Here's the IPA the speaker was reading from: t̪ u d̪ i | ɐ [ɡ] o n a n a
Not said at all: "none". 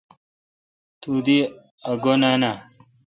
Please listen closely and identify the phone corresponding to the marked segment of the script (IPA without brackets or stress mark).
ɡ